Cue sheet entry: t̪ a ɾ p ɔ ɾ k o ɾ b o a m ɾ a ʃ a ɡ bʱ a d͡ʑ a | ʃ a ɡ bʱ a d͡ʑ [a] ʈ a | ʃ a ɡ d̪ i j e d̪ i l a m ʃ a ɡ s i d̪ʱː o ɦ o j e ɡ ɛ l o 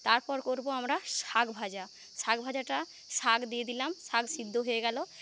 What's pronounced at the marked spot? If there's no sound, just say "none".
a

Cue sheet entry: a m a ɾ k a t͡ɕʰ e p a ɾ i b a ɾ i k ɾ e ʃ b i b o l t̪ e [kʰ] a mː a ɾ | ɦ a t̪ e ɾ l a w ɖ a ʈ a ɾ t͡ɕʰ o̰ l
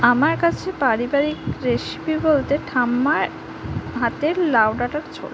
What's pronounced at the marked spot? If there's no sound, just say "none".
ʈʰ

